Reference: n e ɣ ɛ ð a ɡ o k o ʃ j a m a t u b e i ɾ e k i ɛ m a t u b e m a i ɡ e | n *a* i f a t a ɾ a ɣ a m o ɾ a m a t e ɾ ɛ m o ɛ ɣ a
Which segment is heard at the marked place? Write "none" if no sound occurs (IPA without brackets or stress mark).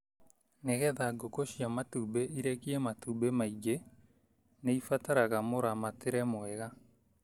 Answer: e